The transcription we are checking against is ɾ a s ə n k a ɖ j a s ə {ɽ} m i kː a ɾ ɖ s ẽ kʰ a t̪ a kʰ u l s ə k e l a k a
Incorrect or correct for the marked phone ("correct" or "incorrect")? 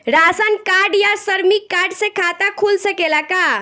incorrect